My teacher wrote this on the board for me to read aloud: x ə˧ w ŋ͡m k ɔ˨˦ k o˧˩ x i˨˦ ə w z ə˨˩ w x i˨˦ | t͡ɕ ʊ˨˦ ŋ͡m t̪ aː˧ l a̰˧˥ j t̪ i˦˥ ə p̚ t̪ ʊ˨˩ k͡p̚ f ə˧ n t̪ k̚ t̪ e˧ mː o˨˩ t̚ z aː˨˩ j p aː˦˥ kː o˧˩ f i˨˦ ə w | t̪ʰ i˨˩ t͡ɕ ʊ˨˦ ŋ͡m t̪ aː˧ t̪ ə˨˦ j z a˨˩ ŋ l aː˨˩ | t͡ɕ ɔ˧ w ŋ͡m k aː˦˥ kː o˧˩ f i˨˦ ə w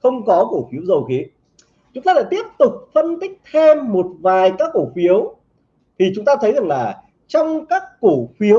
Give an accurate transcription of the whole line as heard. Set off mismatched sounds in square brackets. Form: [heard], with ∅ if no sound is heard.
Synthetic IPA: x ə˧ w ŋ͡m k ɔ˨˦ k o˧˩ [f] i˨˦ ə w z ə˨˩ w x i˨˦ | t͡ɕ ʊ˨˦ ŋ͡m t̪ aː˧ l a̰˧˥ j t̪ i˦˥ ə p̚ t̪ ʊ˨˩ k͡p̚ f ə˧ n t̪ k̚ [t̪ʰ] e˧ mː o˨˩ t̚ [v] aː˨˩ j [k] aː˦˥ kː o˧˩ f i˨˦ ə w | t̪ʰ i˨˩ t͡ɕ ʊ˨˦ ŋ͡m t̪ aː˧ [t̪ʰ] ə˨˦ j z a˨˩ ŋ l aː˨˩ | t͡ɕ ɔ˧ w ŋ͡m k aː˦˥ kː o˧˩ f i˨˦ ə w